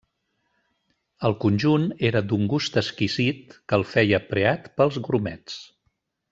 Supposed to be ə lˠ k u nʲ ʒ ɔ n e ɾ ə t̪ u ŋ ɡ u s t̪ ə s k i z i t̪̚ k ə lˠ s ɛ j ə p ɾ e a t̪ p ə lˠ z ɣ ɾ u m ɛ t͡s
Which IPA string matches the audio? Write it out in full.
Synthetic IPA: ə lˠ k u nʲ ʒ u n e ɾ ə d̪ u ŋ ɡ u s t̪ ə s k i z i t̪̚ k ə lˠ f ɛ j ə p ɾ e a t̪ p ə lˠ z ɣ ɾ u m ɛ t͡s